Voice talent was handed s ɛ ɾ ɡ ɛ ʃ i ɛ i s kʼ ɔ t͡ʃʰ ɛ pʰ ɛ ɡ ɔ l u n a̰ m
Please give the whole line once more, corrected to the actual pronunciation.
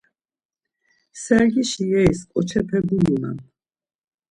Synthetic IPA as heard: s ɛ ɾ ɡ i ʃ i ɛ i s kʼ ɔ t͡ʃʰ ɛ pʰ ɛ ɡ u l u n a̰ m